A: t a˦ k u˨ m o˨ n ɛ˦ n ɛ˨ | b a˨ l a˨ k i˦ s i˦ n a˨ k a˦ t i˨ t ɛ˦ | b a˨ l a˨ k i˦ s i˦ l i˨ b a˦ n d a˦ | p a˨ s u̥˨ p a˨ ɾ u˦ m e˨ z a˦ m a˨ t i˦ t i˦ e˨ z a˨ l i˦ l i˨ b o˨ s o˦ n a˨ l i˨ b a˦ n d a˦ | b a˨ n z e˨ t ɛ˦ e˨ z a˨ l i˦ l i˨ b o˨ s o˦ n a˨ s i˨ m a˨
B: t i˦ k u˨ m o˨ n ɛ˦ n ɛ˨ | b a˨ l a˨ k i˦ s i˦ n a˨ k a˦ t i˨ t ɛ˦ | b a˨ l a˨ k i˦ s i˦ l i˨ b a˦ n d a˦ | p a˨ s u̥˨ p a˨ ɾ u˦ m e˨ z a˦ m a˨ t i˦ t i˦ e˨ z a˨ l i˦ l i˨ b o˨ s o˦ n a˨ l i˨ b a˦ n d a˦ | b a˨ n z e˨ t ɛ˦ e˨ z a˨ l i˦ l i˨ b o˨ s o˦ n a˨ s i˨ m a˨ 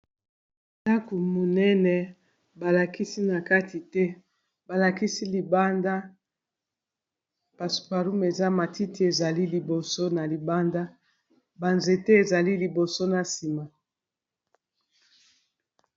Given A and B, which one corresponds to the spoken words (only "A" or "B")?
A